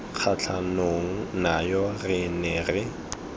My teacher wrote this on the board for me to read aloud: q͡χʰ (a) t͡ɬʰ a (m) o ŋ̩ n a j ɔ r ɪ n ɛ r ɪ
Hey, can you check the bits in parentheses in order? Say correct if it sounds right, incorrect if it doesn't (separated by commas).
correct, incorrect